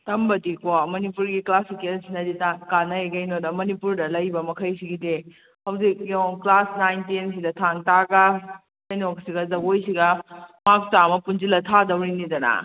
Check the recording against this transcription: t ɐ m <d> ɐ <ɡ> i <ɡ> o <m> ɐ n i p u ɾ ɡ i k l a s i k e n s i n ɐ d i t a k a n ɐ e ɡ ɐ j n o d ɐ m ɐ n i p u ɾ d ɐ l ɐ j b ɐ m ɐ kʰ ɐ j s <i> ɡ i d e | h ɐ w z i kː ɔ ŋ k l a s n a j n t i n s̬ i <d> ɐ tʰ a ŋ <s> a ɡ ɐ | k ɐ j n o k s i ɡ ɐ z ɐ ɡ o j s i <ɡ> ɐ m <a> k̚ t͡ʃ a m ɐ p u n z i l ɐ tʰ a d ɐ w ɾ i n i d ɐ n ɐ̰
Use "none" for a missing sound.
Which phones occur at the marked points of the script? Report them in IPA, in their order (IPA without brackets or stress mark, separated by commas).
b, d, k, m, i, d, t, ɡ, a